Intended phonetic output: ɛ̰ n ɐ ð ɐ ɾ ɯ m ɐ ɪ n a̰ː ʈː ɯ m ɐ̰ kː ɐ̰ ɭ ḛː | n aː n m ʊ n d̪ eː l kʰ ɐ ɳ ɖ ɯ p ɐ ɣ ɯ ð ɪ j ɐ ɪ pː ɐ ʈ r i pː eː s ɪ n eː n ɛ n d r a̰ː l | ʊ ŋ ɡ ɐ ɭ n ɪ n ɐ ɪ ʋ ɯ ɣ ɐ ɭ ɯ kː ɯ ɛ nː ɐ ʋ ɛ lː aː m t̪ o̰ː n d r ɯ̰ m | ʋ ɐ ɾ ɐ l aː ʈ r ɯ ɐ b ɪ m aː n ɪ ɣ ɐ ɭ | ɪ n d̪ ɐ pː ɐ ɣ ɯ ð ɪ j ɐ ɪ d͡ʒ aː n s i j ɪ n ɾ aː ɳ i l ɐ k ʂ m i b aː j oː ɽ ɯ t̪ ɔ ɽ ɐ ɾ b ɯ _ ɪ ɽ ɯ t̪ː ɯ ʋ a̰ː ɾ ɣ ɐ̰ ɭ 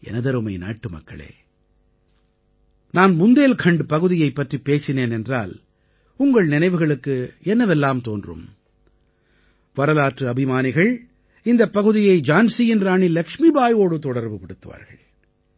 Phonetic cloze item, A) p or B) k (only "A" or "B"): A